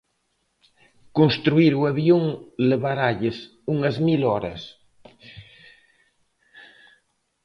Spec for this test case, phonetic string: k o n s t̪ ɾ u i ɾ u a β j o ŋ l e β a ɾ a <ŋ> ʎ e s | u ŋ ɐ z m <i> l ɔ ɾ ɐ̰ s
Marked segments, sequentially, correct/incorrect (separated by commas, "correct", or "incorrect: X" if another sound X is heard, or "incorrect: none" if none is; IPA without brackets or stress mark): incorrect: none, correct